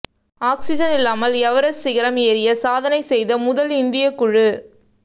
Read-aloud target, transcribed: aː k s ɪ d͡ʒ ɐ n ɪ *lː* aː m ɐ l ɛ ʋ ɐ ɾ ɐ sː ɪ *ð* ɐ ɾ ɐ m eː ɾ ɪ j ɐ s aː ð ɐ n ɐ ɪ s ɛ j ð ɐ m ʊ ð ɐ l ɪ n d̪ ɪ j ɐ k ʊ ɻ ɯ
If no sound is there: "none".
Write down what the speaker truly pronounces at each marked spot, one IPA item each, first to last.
lː, ɣ

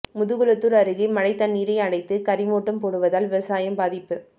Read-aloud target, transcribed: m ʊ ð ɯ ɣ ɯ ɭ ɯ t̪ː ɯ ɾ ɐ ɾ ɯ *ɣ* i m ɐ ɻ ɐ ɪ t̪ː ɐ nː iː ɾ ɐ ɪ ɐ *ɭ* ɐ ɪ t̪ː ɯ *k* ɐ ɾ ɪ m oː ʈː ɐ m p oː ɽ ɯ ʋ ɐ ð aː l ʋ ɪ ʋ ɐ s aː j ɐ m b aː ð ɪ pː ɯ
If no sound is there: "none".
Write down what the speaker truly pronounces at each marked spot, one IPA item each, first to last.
ɣ, ɽ, k

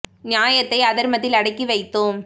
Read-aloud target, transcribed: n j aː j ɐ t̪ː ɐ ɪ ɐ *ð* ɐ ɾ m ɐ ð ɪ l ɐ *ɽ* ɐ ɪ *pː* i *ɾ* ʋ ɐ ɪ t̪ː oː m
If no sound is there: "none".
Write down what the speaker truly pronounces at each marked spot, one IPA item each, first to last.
ð, ɽ, kː, none

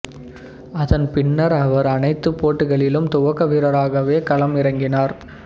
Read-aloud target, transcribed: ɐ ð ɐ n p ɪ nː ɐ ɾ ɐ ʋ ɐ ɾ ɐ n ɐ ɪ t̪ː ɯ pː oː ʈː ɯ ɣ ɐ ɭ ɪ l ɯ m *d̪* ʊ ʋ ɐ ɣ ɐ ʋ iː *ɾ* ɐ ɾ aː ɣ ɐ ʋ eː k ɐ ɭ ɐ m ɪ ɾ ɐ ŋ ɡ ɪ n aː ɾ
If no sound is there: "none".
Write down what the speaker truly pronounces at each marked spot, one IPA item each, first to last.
t̪, ɾ

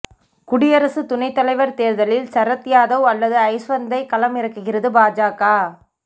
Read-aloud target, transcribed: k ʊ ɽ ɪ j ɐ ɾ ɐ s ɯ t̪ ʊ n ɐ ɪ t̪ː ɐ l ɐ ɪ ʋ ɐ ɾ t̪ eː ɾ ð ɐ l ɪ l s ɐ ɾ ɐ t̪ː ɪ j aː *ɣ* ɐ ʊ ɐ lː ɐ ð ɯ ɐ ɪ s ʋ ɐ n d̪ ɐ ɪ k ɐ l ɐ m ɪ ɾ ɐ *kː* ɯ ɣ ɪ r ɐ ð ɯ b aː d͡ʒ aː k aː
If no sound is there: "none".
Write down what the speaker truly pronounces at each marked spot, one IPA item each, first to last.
ð, kː

